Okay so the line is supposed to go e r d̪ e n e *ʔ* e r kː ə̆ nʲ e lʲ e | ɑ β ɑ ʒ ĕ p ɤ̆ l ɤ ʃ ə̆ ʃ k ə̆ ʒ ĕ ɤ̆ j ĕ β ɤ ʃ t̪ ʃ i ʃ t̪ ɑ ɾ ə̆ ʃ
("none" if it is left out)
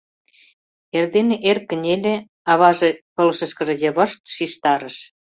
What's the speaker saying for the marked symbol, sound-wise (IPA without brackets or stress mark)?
ʔ